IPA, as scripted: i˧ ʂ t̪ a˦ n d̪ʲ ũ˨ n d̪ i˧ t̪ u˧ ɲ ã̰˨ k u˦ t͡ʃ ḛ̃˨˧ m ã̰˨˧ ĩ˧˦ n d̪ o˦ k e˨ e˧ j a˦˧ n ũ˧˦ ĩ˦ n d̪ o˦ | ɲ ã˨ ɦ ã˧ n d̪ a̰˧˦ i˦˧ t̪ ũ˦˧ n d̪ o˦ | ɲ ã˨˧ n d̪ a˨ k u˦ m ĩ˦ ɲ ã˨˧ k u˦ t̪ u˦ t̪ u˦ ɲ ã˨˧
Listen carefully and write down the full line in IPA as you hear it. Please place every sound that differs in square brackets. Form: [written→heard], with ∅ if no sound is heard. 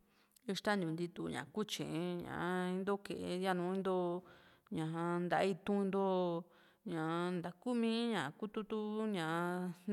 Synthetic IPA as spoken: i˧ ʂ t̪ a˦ n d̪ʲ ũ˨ n d̪ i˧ t̪ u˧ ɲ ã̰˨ k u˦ t͡ʃ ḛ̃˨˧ [m→ɲ] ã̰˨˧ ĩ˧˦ n d̪ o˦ k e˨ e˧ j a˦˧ n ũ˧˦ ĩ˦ n d̪ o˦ | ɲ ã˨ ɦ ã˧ n d̪ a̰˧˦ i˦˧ t̪ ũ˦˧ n d̪ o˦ | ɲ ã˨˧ n d̪ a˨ k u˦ m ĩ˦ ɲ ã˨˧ k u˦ t̪ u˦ t̪ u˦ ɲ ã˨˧

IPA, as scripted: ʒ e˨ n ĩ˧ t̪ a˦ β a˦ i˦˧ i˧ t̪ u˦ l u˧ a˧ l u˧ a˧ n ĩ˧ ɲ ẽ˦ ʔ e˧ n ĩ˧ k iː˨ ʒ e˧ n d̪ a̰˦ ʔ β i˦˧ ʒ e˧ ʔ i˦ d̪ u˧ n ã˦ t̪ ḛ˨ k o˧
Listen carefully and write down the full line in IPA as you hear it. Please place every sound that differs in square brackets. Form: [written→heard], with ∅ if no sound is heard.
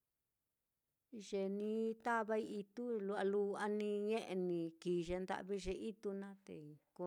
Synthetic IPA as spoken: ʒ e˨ n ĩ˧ t̪ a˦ β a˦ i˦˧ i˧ t̪ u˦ l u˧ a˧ l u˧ a˧ n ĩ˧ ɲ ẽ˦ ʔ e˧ n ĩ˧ k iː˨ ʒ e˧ n d̪ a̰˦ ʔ β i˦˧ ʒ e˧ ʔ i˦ [d̪→t̪] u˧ n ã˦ t̪ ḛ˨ k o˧

